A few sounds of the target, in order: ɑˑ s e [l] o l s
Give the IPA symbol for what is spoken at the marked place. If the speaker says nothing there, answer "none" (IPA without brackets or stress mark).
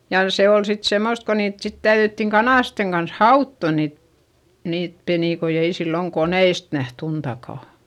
none